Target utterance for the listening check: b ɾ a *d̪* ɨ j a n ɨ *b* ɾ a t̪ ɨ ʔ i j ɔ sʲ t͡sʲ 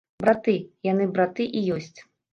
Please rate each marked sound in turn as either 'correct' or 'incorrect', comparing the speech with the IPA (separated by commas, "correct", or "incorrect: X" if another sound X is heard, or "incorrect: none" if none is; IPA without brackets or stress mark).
incorrect: t̪, correct